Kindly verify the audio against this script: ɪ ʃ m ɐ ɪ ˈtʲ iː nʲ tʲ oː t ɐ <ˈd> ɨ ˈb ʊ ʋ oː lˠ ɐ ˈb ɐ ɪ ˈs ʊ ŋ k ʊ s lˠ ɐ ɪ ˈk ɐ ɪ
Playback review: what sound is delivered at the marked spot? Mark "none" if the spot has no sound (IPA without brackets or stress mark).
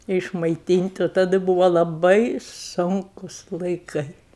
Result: d